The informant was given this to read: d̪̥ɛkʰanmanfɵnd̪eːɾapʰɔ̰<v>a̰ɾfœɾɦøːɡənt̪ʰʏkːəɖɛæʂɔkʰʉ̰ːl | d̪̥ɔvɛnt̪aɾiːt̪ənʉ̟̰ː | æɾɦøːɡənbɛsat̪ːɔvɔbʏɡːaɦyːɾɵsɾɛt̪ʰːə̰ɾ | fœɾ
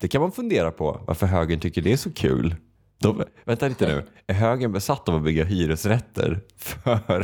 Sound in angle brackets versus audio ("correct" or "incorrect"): correct